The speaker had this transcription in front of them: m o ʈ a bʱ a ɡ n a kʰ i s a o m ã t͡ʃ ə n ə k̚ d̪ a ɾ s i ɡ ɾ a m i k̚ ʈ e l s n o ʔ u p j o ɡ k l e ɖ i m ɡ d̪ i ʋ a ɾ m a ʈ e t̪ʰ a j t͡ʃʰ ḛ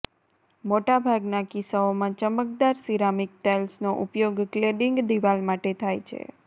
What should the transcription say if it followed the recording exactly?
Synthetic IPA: m o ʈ a bʱ a ɡ n a k i s a o m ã t͡ʃ ə m ə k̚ d̪ a ɾ s i ɾ a m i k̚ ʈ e l s n o ʔ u p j o ɡ k l e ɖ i ŋ ɡ d̪ i ʋ a l m a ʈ e t̪ʰ a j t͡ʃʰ ḛ